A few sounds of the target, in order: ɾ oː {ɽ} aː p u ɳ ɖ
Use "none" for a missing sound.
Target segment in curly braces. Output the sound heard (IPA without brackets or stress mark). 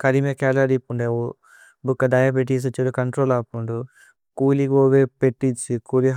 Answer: l